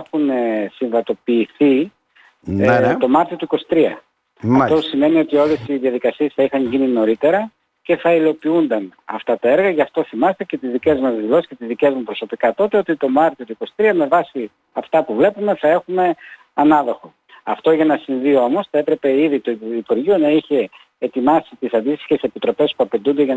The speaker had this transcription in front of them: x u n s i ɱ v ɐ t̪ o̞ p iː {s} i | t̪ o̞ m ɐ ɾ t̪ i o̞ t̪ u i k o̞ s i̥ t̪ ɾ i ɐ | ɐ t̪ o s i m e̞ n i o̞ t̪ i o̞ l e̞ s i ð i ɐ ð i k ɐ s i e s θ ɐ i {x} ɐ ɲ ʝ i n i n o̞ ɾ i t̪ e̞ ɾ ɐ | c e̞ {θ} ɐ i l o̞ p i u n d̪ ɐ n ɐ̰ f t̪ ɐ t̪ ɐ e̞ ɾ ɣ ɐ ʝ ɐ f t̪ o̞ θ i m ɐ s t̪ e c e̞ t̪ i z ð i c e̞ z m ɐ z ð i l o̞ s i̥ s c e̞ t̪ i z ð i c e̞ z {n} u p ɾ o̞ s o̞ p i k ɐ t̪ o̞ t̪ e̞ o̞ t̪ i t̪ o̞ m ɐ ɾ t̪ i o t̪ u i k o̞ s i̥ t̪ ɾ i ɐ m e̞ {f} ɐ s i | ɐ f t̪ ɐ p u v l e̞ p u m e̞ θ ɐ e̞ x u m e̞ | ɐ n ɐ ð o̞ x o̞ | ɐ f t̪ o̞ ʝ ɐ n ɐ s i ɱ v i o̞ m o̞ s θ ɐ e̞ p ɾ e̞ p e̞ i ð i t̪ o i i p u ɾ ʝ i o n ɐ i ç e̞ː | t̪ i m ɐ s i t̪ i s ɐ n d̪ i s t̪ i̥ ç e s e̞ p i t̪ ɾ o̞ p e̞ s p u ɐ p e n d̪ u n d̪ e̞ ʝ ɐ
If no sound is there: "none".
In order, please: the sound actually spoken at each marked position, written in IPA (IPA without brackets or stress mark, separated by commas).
θ, x, θ, m, v